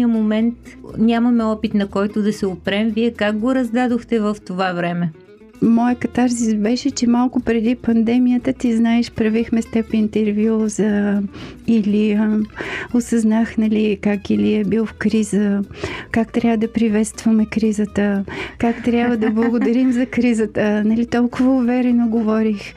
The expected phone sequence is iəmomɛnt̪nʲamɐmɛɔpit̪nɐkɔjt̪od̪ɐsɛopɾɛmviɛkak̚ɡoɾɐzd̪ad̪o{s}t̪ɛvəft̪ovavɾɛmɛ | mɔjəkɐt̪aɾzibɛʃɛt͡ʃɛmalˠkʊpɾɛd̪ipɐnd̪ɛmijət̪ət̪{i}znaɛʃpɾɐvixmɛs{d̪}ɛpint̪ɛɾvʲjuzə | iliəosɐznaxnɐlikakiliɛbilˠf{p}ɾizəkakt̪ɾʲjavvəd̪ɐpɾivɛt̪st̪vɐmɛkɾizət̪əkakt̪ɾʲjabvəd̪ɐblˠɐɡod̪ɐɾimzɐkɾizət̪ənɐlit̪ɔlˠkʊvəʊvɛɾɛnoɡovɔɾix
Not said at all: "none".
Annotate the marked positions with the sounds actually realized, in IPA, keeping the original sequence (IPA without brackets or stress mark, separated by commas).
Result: x, i, t̪, k